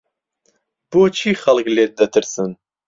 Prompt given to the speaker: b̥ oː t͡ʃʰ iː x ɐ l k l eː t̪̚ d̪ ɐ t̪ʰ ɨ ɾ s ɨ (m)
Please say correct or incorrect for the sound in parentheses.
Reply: incorrect